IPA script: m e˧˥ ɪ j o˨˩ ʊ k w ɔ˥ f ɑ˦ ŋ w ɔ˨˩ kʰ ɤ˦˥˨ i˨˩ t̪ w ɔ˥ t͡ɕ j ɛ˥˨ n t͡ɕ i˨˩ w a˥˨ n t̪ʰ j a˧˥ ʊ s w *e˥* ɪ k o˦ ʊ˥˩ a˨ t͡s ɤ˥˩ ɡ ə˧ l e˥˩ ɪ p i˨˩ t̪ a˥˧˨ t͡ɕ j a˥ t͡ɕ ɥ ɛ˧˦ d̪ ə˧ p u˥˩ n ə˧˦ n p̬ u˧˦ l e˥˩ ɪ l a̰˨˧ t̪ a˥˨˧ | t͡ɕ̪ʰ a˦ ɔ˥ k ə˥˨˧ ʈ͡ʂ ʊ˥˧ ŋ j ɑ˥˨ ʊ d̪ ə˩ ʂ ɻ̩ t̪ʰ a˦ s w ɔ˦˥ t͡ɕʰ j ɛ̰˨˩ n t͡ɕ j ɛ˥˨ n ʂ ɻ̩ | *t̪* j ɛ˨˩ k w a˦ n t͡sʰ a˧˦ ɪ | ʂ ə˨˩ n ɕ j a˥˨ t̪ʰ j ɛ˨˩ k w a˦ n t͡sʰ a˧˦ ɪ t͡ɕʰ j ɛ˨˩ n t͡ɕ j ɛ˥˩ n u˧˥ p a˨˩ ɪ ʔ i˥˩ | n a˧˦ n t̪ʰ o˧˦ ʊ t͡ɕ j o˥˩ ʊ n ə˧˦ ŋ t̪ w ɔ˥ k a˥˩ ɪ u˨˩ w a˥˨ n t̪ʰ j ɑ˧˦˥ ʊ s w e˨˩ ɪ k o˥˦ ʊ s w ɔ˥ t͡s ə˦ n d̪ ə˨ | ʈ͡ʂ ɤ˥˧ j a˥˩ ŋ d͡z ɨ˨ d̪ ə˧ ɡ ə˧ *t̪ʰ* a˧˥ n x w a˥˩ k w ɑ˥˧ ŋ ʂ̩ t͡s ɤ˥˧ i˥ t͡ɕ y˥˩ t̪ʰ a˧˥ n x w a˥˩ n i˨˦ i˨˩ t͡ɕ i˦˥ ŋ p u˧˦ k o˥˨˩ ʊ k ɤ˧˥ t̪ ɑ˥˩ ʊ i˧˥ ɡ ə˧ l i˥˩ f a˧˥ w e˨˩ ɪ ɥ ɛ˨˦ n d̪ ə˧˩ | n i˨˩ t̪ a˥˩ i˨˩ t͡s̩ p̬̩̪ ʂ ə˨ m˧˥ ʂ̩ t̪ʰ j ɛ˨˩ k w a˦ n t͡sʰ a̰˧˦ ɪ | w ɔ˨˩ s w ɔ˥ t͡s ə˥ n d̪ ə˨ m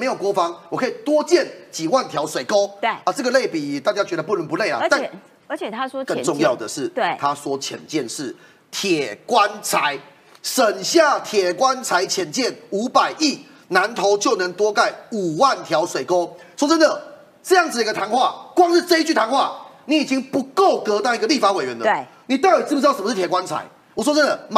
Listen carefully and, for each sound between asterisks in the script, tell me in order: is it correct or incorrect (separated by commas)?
incorrect, incorrect, correct